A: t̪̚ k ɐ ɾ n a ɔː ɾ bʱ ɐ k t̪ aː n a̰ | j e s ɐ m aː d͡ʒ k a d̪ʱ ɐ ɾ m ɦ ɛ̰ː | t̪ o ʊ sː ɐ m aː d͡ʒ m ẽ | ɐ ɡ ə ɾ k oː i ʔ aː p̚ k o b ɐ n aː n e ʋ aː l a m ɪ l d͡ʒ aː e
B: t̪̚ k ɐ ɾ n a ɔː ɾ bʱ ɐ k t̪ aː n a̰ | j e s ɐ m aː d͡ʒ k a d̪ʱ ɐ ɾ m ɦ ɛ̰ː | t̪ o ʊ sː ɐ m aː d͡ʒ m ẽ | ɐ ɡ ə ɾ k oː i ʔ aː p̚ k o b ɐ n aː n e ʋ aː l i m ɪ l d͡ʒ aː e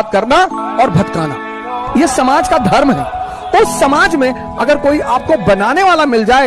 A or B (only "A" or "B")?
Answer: A